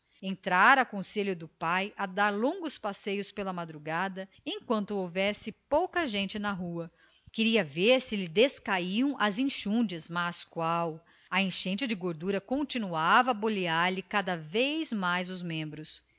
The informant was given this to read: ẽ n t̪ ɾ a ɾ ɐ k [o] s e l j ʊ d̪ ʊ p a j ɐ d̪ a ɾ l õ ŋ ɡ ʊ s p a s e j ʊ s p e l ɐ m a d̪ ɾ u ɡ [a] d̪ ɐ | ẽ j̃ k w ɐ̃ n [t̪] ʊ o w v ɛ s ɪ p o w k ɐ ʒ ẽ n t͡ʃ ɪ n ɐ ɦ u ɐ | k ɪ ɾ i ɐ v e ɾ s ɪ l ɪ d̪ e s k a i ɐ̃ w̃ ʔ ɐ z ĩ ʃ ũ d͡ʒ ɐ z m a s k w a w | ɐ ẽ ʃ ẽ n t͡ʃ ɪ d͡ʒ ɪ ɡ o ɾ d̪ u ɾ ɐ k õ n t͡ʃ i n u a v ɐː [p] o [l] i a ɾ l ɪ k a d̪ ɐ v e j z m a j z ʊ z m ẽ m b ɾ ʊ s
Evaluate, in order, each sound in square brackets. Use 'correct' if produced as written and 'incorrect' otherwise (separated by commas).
incorrect, correct, correct, incorrect, correct